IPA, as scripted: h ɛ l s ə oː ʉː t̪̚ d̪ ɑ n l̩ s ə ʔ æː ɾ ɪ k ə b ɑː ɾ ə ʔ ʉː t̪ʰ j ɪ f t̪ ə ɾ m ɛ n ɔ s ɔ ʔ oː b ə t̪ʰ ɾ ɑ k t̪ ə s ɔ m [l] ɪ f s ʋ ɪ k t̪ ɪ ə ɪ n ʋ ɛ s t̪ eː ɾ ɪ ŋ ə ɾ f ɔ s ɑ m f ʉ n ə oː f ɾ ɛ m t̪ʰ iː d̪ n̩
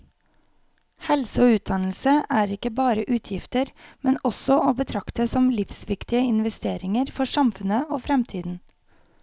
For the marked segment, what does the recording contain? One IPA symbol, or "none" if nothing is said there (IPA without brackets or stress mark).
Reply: l